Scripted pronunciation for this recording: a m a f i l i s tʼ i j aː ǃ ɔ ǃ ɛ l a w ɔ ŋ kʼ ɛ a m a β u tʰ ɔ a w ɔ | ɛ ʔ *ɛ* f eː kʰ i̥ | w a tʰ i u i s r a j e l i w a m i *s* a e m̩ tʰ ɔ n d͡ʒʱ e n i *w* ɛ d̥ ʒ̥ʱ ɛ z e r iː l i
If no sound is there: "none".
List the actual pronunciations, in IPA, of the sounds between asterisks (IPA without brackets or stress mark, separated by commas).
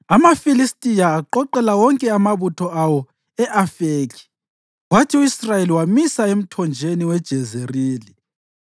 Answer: a, s, w